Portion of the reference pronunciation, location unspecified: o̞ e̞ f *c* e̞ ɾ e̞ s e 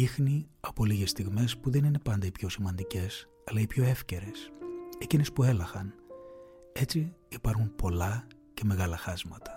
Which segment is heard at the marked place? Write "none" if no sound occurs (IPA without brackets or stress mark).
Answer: c